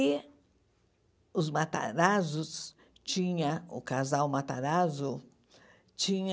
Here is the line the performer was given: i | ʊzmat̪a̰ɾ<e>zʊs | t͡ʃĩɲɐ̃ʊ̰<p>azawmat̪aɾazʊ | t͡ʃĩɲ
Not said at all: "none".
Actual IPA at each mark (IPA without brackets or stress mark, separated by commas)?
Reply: a, k